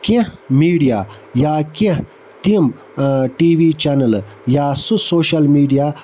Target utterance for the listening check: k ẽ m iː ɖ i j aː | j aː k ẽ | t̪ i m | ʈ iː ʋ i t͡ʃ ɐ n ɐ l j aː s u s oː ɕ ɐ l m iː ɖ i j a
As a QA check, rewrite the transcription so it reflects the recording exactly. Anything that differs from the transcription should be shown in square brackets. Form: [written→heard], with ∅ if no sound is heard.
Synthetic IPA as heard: k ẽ m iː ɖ i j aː | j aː k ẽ | t̪ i m | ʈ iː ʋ i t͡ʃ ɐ n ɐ l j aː s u s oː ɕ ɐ l m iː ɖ i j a